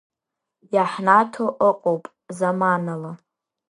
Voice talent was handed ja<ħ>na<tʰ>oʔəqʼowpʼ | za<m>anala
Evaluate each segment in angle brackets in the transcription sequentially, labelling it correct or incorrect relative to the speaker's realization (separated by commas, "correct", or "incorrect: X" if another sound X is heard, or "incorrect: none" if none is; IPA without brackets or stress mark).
correct, correct, correct